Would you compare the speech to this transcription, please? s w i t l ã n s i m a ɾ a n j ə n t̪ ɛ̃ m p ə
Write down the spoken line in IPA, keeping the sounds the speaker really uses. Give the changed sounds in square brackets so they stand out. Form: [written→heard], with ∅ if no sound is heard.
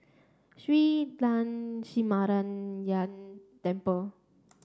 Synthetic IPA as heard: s w i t l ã n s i m a ɾ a n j [ə→a] n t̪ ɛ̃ m p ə